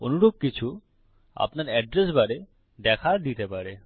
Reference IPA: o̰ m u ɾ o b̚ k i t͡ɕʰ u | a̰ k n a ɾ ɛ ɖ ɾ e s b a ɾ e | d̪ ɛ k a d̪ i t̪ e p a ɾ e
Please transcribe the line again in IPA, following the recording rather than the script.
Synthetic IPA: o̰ n u ɾ o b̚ k i t͡ɕʰ u | a̰ p n a ɾ ɛ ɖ ɾ e s b a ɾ e | d̪ ɛ kʰ a d̪ i t̪ e p a ɾ e